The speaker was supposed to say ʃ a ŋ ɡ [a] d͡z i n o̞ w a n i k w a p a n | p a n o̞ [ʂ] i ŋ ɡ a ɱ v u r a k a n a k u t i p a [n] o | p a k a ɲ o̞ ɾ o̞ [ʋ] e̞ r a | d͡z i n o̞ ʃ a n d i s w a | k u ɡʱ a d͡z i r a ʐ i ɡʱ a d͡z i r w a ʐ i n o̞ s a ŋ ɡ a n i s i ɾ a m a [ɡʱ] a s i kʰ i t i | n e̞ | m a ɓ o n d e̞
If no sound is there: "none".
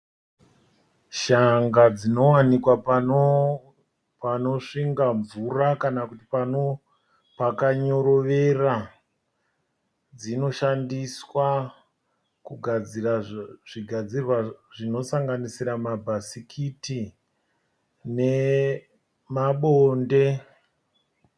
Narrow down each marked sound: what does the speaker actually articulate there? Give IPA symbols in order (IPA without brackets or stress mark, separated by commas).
a, ʂ, n, ʋ, bʱ